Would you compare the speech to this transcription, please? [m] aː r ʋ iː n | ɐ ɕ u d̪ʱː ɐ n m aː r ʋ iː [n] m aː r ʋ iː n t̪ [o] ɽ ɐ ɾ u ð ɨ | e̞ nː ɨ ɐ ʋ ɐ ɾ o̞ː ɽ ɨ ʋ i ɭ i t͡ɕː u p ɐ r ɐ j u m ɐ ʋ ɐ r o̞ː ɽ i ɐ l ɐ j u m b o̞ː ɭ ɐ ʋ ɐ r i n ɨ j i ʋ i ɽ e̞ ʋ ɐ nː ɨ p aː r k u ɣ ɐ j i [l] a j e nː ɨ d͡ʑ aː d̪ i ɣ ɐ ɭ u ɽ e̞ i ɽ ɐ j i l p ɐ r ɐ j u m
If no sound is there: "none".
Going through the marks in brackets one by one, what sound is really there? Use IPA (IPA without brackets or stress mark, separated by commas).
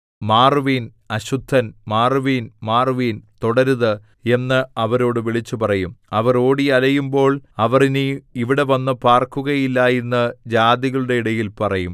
m, n, o, lː